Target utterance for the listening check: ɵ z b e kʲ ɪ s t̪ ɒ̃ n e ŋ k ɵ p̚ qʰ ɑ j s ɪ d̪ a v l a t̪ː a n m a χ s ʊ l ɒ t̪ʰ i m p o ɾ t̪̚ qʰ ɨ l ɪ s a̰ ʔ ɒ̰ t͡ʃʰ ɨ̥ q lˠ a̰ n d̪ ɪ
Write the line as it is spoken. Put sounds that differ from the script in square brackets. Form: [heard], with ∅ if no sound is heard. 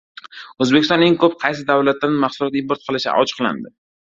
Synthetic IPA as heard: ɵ z b e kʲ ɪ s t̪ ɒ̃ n e ŋ k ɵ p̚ qʰ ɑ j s ɪ d̪ a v l a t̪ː a n m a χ s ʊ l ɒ [t̪] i m p o ɾ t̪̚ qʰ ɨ l ɪ [ʃ] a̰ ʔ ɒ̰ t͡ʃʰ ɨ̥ q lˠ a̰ n d̪ ɪ